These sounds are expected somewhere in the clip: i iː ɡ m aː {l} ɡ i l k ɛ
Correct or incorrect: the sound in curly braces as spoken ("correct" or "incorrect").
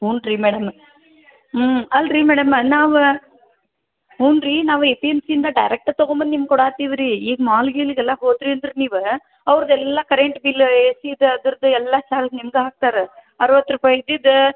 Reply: correct